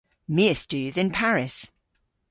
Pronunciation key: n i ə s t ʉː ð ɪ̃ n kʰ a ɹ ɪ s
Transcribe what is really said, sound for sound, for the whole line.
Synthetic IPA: m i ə s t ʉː ð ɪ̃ n pʰ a ɹ ɪ s